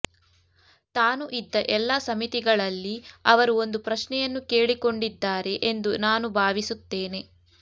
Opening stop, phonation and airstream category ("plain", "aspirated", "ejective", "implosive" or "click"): plain